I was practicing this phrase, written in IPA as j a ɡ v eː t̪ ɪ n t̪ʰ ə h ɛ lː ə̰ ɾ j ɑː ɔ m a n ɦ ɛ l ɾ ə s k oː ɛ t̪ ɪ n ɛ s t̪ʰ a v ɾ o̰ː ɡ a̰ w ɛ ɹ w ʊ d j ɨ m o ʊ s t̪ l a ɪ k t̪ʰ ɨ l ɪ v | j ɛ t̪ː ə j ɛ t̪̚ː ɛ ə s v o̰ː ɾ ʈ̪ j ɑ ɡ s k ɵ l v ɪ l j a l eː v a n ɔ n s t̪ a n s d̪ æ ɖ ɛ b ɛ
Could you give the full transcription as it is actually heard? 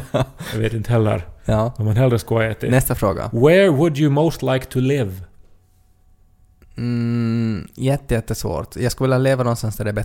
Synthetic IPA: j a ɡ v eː t̪ ɪ n t̪ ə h ɛ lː ə̰ ɾ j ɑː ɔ m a n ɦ ɛ l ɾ ə s k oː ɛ t̪ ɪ n ɛ s t̪ a f ɾ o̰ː ɡ a̰ w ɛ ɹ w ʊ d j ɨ m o ʊ s t̪ l a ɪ k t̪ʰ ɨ l ɪ v | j ɛ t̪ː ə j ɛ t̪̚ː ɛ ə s v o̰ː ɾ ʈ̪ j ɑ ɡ s k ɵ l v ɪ l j a l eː v a n ɔ n s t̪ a n s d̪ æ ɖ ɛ b ɛ